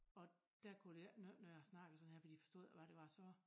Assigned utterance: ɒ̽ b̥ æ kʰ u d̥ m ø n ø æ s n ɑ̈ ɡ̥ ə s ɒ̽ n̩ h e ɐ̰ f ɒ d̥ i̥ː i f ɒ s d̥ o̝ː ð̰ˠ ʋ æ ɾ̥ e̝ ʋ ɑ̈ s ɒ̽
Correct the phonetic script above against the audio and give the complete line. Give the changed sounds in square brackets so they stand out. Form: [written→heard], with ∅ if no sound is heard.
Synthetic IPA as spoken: ɒ̽ [b̥→d̥] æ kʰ u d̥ [m→n] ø n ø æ s n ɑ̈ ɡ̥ ə s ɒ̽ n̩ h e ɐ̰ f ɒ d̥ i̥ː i f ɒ s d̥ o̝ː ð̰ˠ ʋ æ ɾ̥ e̝ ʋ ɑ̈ s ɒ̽